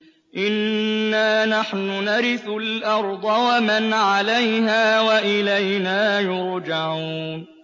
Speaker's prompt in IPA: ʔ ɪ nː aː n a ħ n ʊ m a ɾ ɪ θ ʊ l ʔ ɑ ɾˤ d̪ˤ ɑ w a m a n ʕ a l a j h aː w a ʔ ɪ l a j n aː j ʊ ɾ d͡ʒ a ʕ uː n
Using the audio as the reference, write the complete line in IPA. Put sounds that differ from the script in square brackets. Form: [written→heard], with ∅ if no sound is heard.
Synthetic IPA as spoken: ʔ ɪ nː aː n a ħ n ʊ [m→n] a ɾ ɪ θ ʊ l ʔ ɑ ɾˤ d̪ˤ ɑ w a m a n ʕ a l a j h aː w a ʔ ɪ l a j n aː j ʊ ɾ d͡ʒ a ʕ uː n